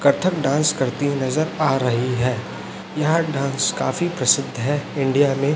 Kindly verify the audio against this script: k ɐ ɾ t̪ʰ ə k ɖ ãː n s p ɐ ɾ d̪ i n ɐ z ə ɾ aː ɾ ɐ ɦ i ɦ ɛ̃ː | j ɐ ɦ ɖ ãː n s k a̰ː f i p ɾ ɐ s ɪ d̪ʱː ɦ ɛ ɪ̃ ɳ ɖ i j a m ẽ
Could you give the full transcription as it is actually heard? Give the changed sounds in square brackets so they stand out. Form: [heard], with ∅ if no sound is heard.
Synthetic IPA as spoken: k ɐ ɾ t̪ʰ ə k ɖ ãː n s [k] ɐ ɾ [t̪] i n ɐ z ə ɾ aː ɾ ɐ ɦ i ɦ [ɛː] | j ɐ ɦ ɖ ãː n s k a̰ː f i p ɾ ɐ s ɪ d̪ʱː ɦ ɛ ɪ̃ ɳ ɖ i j a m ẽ